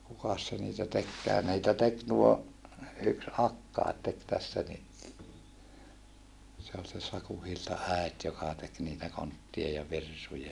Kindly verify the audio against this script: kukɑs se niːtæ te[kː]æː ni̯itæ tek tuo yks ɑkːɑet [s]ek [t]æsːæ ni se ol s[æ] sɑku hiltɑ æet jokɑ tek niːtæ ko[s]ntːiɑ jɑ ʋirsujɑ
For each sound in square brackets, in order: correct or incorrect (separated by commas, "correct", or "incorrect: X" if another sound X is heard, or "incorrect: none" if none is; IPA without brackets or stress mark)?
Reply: correct, incorrect: t, correct, incorrect: e, incorrect: none